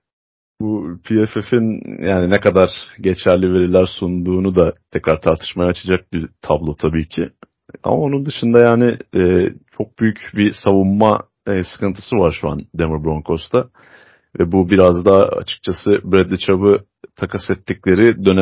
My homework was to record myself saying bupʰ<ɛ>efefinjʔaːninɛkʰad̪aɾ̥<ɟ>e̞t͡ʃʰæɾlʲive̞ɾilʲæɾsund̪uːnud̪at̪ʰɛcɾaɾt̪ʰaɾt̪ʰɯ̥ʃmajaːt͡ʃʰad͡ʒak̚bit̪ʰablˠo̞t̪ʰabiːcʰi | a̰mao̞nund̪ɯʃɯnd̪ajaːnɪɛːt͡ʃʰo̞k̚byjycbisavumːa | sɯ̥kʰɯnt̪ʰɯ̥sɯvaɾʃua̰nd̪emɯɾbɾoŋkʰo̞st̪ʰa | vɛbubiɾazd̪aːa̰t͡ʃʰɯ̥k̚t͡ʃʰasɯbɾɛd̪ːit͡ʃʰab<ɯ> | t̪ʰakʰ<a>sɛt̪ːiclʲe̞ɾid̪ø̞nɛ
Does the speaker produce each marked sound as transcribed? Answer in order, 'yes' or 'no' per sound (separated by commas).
no, yes, yes, yes